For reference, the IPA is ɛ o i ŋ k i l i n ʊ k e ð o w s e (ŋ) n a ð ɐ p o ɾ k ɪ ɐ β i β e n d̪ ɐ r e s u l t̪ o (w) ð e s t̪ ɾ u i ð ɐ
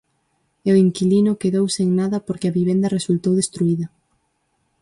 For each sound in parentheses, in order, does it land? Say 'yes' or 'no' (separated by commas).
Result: yes, yes